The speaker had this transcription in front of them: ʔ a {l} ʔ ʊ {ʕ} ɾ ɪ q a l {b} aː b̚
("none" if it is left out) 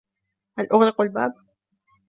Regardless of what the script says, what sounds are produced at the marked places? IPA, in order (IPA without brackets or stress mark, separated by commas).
l, ɣ, b